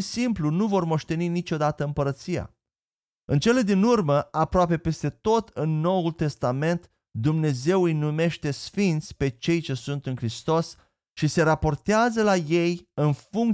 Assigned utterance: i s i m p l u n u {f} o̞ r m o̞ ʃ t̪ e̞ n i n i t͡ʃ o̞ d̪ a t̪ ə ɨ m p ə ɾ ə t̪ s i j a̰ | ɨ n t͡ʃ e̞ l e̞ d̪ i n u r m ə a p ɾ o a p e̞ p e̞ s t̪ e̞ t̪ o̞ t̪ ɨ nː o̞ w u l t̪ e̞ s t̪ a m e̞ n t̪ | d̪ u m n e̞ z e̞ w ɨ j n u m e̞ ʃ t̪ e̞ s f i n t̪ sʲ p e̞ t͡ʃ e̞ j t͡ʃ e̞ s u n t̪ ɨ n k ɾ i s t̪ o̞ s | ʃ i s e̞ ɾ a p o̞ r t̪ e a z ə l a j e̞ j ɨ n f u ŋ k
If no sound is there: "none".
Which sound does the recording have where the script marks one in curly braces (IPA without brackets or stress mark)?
v